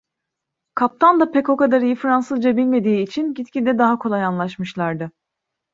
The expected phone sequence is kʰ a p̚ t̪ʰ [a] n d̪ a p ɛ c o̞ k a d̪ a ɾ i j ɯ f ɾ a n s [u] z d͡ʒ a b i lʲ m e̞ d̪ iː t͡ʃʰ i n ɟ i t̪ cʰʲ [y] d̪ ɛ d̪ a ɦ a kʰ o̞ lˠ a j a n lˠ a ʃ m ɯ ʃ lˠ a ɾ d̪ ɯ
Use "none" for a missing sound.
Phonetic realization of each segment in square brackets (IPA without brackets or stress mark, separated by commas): a, ɯ, i